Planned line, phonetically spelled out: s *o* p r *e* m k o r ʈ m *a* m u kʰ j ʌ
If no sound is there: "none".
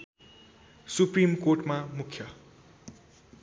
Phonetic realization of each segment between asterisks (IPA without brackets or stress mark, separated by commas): u, i, a